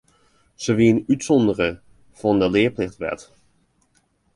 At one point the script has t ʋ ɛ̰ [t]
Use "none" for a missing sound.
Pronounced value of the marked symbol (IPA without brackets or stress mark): t